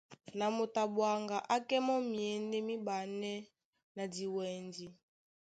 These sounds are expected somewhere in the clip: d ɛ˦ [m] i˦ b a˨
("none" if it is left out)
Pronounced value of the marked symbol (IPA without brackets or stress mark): m